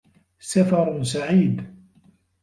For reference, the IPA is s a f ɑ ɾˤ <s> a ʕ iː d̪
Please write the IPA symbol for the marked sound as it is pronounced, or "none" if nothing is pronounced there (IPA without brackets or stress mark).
s